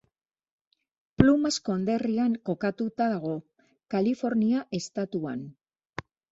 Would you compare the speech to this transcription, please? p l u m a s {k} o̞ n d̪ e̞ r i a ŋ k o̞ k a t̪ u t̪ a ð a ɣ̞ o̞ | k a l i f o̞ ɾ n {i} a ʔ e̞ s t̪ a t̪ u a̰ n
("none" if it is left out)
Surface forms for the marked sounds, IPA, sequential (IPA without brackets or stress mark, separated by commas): k, i